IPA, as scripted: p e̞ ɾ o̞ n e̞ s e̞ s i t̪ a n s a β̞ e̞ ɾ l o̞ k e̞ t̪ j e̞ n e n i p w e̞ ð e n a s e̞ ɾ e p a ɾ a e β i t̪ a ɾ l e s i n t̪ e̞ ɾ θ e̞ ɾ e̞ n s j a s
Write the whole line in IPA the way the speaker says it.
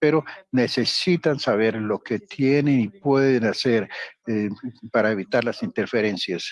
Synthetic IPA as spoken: p e̞ ɾ o̞ n e̞ s e̞ s i t̪ a n s a β̞ e̞ ɾ l o̞ k e̞ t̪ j e̞ n e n i p w e̞ ð e n a s e̞ ɾ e p a ɾ a e β i t̪ a ɾ l a s i n t̪ e̞ ɾ f e̞ ɾ e̞ n s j a s